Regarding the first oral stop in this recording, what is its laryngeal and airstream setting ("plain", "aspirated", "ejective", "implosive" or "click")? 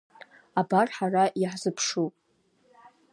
plain